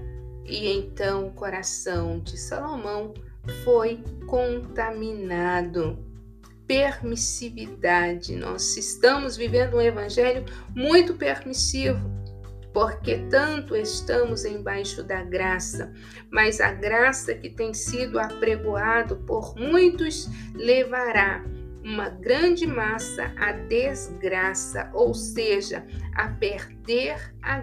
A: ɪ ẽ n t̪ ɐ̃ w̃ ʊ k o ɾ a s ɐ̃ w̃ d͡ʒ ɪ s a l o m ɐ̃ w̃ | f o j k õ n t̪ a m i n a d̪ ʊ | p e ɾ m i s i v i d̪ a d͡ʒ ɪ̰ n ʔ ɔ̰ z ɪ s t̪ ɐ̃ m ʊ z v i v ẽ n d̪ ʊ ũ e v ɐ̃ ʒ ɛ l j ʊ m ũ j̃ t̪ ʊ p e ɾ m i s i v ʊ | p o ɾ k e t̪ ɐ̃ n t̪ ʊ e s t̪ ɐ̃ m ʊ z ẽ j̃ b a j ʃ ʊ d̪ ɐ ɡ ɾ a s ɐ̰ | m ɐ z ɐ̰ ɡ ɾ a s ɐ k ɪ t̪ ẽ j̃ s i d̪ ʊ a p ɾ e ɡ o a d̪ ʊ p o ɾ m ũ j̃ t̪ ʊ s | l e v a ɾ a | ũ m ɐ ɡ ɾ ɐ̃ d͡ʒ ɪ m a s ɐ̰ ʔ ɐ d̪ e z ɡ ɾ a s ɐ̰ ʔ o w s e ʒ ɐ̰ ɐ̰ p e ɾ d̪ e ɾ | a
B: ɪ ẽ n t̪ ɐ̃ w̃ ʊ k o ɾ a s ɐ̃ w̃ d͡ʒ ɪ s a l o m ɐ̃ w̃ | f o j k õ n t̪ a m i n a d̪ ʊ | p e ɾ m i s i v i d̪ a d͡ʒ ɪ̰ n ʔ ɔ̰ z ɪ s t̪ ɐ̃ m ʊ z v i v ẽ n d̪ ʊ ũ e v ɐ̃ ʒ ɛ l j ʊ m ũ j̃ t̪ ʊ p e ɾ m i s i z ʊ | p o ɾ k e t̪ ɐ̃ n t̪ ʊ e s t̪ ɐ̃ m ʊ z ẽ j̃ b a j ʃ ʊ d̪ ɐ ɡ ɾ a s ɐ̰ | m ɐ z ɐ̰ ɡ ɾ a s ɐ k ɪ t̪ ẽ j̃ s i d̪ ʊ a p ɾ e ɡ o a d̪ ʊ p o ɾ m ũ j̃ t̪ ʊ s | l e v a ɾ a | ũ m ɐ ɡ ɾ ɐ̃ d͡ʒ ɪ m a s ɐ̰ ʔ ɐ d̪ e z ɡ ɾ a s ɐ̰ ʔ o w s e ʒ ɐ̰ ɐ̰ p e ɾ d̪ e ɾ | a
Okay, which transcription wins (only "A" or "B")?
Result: A